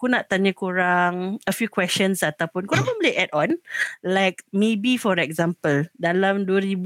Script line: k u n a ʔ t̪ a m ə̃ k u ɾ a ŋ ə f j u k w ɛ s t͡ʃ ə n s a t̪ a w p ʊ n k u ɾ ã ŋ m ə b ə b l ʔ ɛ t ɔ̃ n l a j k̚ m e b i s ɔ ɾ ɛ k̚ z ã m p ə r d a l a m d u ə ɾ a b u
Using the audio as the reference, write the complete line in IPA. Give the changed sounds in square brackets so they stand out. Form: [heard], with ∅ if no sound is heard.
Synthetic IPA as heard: k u n a ʔ t̪ a [ɲ] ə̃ k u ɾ a ŋ ə f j u k w ɛ s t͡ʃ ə n s a t̪ a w p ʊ n k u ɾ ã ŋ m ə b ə [∅] l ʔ ɛ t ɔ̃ n l a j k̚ m e b i [f] ɔ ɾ ɛ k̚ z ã m p ə [l] d a l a m d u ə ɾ [i] b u